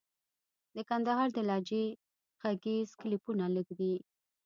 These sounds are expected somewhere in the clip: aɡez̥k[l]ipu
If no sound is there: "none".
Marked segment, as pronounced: l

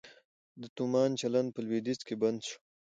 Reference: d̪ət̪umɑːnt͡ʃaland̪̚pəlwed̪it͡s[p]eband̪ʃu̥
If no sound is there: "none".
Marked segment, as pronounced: k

